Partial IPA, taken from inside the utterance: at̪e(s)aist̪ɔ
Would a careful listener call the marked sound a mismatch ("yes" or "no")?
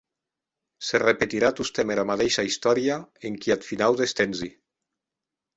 yes